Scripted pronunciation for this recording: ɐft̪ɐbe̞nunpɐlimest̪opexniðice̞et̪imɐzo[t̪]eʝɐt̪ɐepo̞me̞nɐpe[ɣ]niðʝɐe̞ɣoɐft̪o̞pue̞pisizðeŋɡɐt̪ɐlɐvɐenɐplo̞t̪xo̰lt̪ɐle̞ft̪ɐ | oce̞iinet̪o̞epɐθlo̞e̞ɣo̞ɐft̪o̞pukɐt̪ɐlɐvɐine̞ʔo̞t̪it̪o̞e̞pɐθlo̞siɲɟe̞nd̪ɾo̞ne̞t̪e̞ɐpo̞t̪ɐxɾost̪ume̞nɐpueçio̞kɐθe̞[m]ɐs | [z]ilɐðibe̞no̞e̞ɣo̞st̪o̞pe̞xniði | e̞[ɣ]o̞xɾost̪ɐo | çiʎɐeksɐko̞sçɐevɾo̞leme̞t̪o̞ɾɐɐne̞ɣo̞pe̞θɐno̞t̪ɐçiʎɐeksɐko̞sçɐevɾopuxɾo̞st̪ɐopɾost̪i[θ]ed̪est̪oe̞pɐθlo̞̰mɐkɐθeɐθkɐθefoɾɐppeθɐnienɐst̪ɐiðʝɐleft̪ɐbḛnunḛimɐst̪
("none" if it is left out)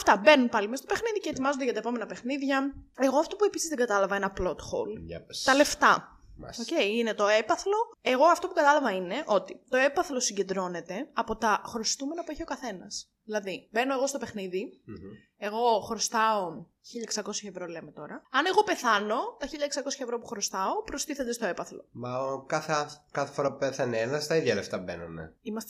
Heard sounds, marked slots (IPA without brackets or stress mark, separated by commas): d̪, x, n, ð, ɣ, θ